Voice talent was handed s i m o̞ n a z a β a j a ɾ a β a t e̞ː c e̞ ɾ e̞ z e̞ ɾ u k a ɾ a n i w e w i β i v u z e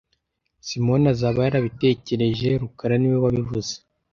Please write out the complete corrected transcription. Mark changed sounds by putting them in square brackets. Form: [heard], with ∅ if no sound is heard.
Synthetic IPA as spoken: s i m o̞ n a z a β a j a ɾ a β [i] t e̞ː c e̞ ɾ e̞ [ʒ] e̞ ɾ u k a ɾ a n i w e w [a] β i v u z e

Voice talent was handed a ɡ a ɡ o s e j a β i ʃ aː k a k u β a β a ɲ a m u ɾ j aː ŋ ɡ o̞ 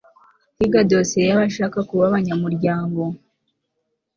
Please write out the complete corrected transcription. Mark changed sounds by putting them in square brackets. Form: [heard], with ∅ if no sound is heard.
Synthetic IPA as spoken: [i] ɡ a [d] o s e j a β [a] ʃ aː k a k u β a β a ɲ a m u ɾ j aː ŋ ɡ o̞

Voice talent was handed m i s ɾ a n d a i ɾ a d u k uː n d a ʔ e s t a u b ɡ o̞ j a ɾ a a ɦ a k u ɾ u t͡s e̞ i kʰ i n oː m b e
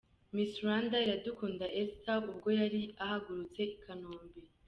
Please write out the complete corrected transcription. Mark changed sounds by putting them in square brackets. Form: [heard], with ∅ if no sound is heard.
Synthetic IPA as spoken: m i s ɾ a n d a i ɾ a d u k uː n d a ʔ e s t a u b ɡ o̞ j a ɾ [i] a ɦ a [ɡ] u ɾ u t͡s e̞ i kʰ [a] n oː m b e

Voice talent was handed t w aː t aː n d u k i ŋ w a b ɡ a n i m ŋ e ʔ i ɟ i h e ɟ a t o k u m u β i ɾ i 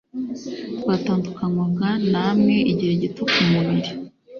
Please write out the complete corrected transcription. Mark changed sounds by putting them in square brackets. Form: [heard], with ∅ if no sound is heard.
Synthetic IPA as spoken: t w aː t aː n d u k [a] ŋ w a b ɡ a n [a] m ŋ e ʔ i ɟ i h e ɟ [i] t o k u m u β i ɾ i

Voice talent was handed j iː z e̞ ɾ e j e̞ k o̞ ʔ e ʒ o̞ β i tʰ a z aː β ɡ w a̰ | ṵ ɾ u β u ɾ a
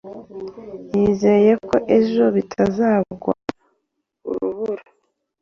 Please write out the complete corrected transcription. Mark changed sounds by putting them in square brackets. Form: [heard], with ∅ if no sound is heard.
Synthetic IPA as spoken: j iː z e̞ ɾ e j e̞ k o̞ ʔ e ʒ o̞ β i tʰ a z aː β ɡ w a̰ | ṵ ɾ u β u ɾ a

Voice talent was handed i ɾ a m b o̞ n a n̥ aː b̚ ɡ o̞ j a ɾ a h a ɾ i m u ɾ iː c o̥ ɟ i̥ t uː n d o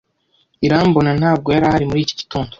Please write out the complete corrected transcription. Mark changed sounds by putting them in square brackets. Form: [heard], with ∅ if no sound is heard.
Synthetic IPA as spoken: i ɾ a m b o̞ n a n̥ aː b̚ ɡ o̞ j a ɾ a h a ɾ i m u ɾ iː c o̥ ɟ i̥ t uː n d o

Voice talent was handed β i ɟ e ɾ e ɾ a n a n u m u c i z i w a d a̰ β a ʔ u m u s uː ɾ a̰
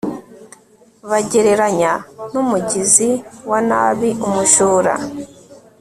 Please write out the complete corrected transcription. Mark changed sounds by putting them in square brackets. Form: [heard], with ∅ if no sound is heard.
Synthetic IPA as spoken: β [a] ɟ e ɾ e ɾ a [ɲ] a n u m u [ɟ] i z i w a [n] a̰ β [i] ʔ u m u [ʃ] uː ɾ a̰

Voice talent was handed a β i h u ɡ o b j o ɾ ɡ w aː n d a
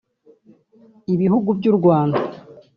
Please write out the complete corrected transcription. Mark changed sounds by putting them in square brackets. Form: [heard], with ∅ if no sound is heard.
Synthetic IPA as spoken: [i] β i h u ɡ [u] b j [u] ɾ ɡ w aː n d a

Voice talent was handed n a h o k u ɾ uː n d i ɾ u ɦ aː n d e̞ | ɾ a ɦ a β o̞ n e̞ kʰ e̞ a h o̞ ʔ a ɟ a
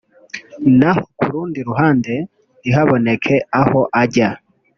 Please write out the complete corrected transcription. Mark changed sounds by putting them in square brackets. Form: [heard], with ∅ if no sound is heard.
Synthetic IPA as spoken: n a h o k u ɾ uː n d i ɾ u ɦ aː n d e̞ | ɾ [i] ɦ a β o̞ n e̞ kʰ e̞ a h o̞ ʔ a ɟ a

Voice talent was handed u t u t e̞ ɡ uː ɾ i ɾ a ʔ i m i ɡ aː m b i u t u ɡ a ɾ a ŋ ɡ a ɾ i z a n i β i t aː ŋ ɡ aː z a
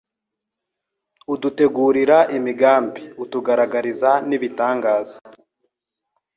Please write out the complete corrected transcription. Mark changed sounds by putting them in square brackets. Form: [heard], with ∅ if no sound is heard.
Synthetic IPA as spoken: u [d] u t e̞ ɡ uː ɾ i ɾ a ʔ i m i ɡ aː m b i u t u ɡ a ɾ a [∅] ɡ a ɾ i z a n i β i t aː ŋ ɡ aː z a

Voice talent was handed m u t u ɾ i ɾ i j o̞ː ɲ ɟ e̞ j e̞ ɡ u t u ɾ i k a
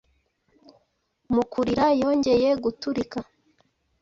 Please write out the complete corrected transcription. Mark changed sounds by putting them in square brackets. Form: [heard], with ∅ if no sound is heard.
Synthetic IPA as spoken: m u [k] u ɾ i ɾ [a] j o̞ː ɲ ɟ e̞ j e̞ ɡ u t u ɾ i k a

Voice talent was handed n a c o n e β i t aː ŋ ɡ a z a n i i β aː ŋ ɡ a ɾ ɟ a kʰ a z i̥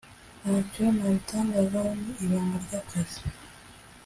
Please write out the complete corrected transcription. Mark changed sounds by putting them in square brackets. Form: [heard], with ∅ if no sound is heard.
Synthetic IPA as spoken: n a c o n [a] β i t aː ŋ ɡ a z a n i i β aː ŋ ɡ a ɾ ɟ a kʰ a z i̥

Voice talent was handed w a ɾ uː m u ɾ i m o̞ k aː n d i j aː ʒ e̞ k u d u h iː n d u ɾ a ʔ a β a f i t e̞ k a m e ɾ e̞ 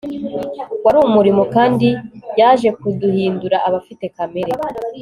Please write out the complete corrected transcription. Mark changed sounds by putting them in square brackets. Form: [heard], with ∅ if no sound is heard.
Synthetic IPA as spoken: w a ɾ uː m u ɾ i m o̞ k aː n d i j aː ʒ e̞ k u d u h iː n d u ɾ a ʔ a β a f i t e̞ k a m e ɾ e̞

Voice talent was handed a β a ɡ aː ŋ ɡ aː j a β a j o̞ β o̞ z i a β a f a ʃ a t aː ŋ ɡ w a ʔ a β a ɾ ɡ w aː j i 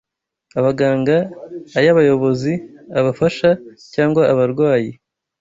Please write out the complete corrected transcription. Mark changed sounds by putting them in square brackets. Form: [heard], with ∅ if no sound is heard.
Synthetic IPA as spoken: a β a ɡ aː ŋ ɡ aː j a β a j o̞ β o̞ z i a β a f a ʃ a [c] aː ŋ ɡ w a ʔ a β a ɾ ɡ w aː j i

